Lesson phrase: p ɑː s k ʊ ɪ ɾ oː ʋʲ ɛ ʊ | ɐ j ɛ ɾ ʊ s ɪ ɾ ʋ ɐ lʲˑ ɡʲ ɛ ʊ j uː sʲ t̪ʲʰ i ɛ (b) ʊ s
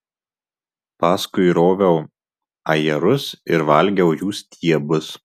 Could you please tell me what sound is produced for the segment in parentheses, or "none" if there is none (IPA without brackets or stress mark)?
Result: b